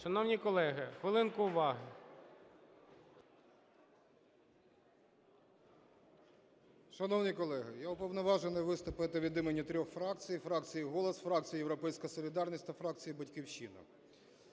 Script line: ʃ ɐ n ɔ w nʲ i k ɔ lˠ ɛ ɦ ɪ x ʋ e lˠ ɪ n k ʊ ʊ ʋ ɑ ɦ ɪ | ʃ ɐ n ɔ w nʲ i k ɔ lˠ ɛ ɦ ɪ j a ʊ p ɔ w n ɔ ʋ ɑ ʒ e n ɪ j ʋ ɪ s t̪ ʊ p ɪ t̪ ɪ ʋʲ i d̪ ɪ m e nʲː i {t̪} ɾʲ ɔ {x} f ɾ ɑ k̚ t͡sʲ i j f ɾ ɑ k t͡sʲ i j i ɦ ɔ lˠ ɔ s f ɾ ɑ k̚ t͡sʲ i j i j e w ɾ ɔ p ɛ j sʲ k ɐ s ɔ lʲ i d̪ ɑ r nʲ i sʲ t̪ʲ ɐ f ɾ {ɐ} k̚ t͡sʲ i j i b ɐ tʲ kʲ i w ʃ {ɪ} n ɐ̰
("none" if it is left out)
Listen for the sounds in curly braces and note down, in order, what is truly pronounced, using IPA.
t̪, x, ɑ, i

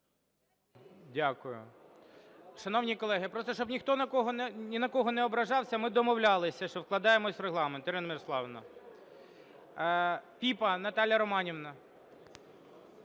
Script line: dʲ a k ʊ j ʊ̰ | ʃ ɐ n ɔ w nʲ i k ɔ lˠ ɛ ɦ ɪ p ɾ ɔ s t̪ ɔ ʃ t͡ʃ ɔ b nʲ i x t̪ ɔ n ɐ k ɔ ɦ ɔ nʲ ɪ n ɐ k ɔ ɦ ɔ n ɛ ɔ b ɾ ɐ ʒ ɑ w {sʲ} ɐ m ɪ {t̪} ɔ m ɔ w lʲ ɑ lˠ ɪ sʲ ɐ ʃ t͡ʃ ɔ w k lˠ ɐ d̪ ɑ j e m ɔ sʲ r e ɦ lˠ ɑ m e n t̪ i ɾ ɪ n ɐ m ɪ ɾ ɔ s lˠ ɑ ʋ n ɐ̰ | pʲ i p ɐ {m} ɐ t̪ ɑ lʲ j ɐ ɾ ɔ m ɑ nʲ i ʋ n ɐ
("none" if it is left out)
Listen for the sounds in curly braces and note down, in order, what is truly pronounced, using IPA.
sʲ, d̪, n

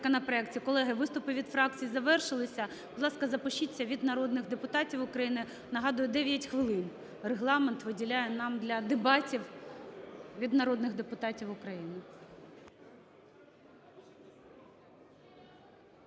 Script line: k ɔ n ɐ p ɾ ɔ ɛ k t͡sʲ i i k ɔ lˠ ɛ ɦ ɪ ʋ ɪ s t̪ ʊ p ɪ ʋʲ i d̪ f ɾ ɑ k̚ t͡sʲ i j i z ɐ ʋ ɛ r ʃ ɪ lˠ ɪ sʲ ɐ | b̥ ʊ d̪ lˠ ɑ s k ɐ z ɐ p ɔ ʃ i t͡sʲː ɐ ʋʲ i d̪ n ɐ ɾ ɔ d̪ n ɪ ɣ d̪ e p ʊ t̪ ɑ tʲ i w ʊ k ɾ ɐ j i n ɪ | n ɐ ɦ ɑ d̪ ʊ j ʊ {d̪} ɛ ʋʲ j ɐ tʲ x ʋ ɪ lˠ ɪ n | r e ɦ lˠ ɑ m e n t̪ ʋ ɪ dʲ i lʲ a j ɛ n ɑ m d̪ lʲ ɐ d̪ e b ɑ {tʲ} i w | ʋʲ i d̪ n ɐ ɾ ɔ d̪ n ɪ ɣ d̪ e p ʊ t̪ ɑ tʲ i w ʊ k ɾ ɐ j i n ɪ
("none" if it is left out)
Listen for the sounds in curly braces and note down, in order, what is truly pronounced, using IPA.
d̪, tʲ

